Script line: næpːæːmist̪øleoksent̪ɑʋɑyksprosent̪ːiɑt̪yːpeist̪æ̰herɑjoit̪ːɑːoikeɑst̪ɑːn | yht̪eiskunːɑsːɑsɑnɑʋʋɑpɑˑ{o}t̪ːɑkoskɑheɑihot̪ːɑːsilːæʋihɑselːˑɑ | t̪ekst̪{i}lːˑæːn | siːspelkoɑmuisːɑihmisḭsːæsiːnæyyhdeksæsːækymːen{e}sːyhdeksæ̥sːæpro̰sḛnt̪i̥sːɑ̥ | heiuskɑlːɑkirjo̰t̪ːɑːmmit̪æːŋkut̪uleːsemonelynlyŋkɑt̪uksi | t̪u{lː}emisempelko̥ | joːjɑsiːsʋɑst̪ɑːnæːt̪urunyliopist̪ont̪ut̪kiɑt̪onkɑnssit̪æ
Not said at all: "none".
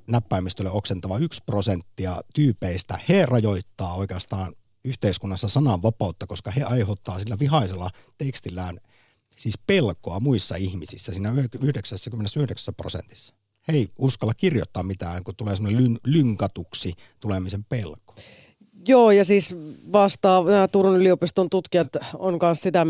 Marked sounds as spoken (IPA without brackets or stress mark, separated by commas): u, i, e, l